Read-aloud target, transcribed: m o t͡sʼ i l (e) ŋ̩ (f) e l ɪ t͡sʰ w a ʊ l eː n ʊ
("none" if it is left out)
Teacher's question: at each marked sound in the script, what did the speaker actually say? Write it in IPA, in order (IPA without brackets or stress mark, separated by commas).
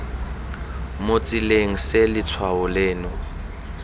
e, s